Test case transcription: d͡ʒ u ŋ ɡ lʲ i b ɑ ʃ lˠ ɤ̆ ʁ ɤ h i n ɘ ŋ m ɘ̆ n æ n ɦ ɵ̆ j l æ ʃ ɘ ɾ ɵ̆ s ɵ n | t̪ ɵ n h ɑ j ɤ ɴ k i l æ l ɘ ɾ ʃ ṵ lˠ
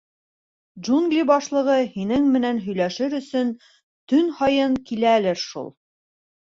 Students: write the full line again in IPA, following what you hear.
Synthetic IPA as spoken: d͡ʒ u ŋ ɡ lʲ i b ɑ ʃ lˠ ɤ̆ ʁ ɤ h i n ɘ ŋ m ɘ̆ n æ n ɦ ɵ̆ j l æ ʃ ɘ ɾ ɵ̆ s ɵ n | t̪ ɵ n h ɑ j ɤ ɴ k i l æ l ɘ ɾ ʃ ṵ lˠ